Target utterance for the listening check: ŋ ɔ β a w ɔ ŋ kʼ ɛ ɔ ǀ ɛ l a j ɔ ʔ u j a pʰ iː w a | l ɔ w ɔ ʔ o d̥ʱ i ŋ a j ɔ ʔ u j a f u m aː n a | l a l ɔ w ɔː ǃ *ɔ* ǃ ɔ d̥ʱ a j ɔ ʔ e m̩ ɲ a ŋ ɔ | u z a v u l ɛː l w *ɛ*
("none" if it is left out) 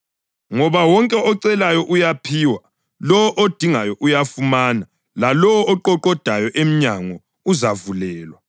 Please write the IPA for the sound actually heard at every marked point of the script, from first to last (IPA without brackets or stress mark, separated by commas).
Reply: ɔ, a